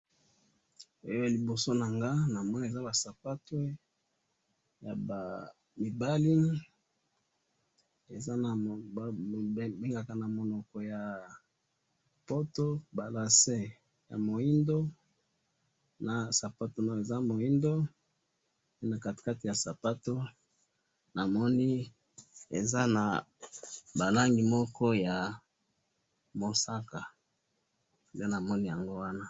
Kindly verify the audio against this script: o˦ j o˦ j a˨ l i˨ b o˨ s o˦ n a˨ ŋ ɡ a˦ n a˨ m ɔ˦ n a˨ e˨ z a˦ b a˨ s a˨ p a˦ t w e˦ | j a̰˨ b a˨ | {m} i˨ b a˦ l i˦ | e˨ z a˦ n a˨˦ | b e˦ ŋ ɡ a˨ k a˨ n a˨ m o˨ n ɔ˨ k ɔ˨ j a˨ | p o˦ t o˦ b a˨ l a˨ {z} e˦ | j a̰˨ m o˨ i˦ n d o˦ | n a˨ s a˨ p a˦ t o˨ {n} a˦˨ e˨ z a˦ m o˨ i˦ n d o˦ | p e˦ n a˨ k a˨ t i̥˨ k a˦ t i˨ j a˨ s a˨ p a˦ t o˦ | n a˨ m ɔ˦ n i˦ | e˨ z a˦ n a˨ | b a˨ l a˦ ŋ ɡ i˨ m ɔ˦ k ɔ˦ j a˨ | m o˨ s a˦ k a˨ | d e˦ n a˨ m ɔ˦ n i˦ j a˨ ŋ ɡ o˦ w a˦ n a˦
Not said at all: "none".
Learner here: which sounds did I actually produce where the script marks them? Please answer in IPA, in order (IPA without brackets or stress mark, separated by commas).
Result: m, s, n